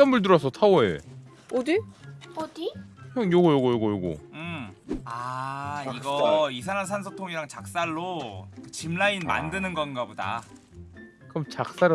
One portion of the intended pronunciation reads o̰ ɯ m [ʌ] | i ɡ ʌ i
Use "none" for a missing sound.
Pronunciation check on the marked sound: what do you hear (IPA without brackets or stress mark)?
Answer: a